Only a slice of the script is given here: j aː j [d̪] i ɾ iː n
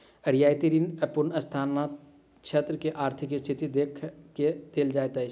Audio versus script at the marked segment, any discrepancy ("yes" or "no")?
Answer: yes